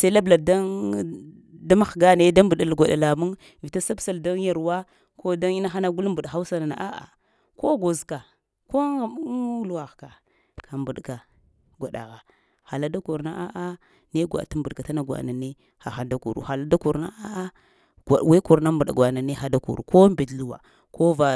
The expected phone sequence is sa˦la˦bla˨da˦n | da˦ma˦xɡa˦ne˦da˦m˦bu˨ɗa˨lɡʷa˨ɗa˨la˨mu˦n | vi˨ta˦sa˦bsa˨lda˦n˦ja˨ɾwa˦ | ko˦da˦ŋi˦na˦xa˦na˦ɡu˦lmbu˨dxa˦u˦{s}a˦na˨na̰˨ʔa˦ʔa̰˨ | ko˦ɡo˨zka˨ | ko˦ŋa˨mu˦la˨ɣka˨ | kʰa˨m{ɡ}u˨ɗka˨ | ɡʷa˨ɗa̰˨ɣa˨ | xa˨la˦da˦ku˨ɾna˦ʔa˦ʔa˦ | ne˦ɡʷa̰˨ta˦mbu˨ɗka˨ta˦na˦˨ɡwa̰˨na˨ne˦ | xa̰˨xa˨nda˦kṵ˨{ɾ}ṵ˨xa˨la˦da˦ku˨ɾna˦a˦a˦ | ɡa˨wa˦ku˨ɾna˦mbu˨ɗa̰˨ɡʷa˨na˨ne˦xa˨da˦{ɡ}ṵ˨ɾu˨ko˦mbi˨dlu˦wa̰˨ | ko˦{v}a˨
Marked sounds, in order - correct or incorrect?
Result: correct, incorrect, correct, incorrect, correct

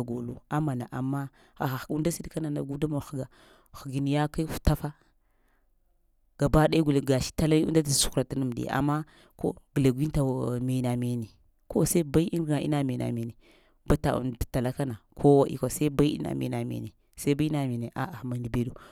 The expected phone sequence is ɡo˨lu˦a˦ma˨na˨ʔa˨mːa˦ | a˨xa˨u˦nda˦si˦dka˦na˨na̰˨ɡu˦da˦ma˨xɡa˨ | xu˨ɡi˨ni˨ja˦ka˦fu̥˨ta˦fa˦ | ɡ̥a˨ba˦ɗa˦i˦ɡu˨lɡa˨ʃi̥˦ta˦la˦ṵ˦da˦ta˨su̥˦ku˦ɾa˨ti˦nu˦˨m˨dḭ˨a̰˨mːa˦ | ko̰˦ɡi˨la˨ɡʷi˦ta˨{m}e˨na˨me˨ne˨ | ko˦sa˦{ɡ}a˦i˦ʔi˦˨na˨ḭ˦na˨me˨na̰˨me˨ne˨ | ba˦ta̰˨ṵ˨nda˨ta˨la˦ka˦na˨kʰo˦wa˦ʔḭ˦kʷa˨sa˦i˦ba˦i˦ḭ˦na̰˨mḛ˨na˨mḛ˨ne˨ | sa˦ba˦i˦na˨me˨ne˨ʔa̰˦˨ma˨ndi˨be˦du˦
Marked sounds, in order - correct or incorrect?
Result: correct, incorrect

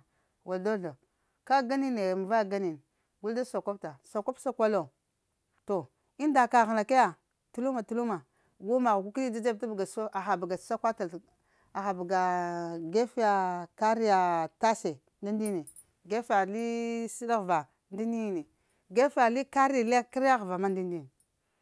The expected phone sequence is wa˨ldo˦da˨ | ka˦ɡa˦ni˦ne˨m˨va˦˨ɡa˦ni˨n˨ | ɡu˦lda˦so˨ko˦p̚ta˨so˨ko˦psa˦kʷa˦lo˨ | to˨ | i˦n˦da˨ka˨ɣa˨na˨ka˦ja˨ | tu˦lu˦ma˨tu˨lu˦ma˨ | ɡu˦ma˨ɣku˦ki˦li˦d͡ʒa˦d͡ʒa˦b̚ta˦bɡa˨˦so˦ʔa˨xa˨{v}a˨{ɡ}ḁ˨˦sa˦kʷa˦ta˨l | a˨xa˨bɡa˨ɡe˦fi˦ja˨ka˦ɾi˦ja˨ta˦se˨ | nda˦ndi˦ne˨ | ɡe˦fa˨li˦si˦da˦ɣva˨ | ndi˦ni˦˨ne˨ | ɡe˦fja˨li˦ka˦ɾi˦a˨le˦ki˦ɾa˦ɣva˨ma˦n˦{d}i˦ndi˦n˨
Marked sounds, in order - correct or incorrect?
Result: incorrect, correct, correct

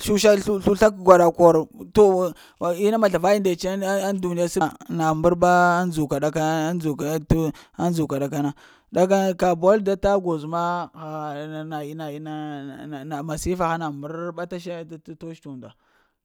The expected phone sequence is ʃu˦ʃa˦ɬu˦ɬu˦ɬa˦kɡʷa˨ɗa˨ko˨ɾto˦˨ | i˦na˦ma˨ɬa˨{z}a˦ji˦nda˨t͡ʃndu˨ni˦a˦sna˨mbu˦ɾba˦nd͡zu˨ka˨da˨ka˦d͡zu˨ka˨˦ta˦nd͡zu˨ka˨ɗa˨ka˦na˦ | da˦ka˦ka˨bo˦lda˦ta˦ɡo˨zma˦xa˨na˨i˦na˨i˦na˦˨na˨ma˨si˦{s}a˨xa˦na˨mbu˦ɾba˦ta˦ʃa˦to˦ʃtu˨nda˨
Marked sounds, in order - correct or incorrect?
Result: incorrect, incorrect

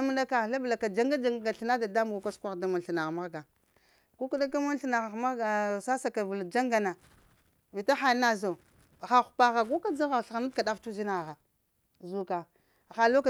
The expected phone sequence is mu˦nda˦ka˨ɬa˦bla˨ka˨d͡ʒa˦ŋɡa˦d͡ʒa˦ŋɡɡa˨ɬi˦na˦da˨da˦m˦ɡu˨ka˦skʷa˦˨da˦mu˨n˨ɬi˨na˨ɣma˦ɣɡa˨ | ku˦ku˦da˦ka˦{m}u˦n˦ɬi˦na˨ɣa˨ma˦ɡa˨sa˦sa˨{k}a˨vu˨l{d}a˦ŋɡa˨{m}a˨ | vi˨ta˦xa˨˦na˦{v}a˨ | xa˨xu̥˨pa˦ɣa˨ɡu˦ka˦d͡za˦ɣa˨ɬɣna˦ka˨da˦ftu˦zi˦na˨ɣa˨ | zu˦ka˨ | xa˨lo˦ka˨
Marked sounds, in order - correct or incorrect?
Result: correct, correct, incorrect, incorrect, incorrect

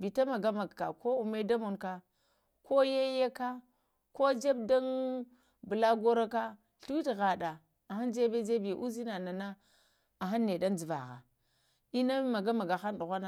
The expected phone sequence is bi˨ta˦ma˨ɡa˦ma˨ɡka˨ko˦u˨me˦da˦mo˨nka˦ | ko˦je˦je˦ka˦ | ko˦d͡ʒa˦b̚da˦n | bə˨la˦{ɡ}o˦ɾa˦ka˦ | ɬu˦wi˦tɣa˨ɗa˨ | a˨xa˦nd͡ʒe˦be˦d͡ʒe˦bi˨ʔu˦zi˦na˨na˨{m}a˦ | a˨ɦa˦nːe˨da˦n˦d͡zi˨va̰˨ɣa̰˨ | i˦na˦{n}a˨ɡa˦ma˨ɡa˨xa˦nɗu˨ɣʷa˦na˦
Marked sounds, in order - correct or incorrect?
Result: correct, incorrect, incorrect

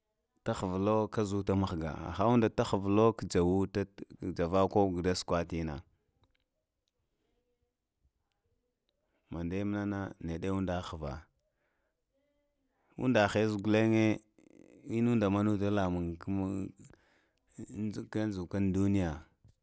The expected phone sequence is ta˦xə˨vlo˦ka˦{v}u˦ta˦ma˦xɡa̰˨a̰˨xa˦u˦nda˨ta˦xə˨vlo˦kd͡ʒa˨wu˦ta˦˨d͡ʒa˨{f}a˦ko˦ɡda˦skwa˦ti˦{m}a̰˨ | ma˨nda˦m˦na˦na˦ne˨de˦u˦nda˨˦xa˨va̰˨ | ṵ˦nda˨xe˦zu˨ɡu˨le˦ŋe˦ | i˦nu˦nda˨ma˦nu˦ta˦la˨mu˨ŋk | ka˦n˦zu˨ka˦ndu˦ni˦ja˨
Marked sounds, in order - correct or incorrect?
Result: incorrect, incorrect, incorrect

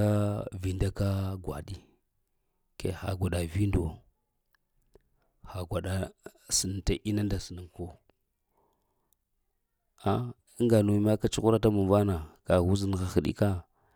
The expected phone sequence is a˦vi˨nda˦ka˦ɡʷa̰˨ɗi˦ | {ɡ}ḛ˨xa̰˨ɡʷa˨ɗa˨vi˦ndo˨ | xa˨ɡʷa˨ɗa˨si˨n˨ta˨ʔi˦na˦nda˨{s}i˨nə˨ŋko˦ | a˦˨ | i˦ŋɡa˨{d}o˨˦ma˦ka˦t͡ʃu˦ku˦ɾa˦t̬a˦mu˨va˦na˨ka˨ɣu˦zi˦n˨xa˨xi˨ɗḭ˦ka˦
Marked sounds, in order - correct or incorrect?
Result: incorrect, correct, incorrect

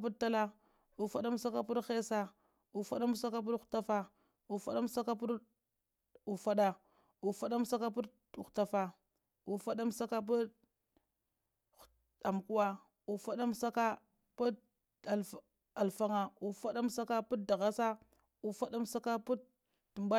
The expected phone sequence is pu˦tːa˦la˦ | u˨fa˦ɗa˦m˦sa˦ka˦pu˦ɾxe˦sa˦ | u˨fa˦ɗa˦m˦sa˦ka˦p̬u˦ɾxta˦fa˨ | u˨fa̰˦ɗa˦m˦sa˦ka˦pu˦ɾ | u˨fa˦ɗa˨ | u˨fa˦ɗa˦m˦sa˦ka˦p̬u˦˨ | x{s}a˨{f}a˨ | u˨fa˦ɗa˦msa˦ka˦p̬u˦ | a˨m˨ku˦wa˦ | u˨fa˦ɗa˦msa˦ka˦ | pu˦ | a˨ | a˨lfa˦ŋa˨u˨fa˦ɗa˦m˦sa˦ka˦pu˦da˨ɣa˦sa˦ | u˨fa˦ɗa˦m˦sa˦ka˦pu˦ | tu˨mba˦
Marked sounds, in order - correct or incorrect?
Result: incorrect, correct

